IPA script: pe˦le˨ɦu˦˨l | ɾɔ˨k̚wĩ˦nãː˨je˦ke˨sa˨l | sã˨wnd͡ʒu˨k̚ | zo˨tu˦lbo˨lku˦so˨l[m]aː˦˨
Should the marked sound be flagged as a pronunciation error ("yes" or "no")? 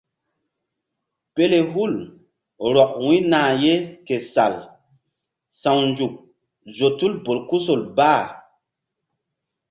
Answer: yes